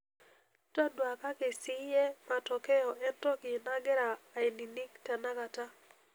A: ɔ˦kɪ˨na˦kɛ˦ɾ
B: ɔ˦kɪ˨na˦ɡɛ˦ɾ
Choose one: B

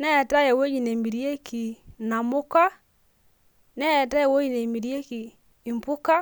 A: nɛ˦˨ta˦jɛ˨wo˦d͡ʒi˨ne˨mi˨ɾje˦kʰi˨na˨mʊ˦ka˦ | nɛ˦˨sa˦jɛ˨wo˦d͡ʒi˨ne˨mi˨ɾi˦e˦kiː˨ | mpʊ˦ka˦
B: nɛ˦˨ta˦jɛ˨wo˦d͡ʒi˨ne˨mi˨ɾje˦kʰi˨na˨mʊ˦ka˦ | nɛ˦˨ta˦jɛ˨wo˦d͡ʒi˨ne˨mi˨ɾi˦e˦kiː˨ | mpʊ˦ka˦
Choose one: B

